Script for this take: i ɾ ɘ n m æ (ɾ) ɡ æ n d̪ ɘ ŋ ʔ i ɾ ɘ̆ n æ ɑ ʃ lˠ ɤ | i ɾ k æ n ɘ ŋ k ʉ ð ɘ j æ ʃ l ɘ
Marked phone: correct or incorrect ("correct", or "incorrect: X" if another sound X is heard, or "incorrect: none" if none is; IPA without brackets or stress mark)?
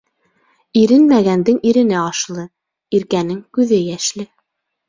incorrect: none